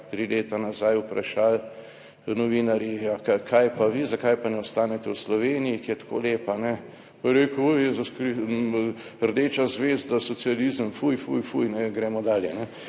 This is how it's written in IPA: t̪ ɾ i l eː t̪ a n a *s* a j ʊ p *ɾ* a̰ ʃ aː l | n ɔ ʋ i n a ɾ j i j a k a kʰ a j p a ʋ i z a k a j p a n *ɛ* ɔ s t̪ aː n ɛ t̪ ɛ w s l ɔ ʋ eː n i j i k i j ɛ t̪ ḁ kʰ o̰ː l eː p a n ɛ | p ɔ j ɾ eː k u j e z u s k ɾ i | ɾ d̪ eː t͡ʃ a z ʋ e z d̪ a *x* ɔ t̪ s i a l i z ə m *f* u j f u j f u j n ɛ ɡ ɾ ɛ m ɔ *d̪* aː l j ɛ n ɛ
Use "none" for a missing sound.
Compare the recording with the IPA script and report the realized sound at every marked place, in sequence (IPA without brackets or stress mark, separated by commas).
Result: z, ɾ, ɛ, s, f, d̪